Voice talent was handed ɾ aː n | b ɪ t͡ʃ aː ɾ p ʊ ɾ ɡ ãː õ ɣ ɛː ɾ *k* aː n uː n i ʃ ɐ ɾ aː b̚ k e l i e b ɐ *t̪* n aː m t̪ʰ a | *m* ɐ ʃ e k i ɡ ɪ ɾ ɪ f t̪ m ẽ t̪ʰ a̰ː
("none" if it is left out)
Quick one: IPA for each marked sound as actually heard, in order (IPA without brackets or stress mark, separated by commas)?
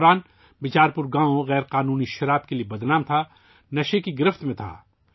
q, d̪, n